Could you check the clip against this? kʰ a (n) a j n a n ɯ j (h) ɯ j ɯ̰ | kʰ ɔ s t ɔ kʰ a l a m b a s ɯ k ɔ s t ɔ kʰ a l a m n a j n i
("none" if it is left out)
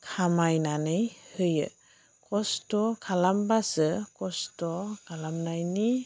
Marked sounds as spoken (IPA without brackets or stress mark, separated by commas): m, h